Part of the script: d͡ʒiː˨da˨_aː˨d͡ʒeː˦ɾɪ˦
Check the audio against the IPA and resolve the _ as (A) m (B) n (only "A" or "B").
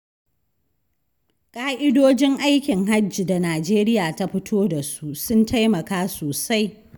B